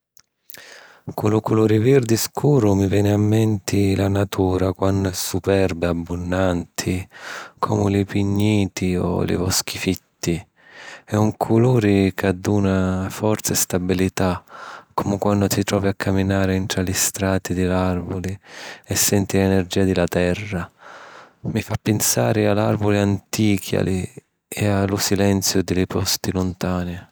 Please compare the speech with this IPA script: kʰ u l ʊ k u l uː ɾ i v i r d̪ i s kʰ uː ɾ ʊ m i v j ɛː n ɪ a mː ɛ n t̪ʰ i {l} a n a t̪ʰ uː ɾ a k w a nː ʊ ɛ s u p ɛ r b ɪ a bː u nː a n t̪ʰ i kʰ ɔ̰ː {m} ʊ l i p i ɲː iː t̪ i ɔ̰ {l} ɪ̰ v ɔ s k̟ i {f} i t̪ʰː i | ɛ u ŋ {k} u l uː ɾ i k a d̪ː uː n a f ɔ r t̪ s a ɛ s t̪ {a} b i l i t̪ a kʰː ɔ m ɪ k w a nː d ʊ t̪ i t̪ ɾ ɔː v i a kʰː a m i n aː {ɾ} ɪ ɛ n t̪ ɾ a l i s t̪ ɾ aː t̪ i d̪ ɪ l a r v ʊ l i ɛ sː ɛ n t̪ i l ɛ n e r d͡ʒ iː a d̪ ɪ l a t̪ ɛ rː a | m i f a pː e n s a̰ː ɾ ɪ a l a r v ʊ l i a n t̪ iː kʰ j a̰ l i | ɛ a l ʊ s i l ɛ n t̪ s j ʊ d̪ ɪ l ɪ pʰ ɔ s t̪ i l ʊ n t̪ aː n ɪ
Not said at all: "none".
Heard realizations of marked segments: l, m, l, f, kʰ, a, ɾ

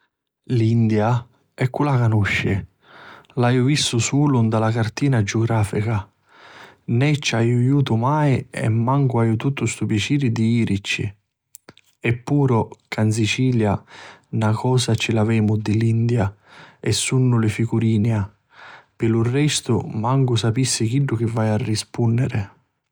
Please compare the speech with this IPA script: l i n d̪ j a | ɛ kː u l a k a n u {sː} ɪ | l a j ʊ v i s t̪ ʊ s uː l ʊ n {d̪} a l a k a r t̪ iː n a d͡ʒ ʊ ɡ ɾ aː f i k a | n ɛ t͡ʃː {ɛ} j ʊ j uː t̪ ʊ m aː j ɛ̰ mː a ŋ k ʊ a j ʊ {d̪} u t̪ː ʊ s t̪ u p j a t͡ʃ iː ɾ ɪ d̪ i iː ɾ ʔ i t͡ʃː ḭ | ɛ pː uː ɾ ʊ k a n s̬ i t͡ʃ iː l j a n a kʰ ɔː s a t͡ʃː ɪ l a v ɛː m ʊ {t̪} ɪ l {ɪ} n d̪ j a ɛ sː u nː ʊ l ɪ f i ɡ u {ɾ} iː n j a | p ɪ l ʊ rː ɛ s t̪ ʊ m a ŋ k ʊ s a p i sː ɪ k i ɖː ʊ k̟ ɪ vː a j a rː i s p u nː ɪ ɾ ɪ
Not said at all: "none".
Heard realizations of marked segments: ʃː, d̪, a, t̪, d̪, i, ɾ

